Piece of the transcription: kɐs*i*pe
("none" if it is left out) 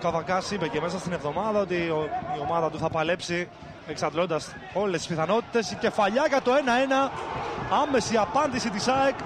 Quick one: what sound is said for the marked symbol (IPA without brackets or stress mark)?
i